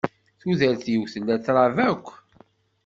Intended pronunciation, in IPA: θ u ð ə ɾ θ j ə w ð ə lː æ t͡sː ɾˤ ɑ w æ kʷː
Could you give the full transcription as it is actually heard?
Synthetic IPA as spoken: θ u ð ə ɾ θ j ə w θ ə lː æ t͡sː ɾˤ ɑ v æ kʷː